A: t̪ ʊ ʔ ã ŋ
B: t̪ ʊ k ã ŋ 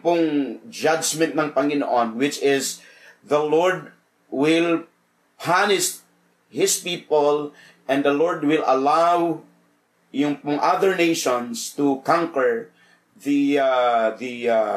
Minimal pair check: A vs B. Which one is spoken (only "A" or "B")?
B